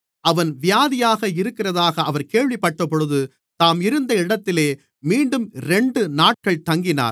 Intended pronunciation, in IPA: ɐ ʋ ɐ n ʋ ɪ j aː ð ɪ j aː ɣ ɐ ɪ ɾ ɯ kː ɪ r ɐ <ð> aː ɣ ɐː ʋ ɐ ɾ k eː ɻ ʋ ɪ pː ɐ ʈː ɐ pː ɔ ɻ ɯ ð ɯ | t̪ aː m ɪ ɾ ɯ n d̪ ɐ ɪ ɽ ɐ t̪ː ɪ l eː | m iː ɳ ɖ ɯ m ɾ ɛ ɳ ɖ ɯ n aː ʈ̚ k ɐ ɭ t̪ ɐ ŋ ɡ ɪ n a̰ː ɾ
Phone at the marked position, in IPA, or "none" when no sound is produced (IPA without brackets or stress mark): ð